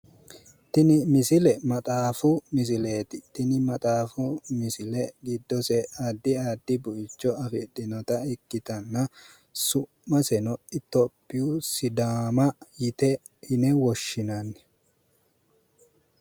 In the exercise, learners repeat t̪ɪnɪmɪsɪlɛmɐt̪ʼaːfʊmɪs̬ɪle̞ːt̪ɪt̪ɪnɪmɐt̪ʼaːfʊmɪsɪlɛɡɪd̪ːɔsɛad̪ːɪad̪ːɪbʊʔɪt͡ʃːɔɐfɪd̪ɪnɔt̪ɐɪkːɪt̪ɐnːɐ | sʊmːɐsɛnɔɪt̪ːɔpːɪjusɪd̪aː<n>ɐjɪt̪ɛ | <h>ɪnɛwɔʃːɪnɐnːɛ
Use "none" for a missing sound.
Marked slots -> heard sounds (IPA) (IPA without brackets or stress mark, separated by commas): m, h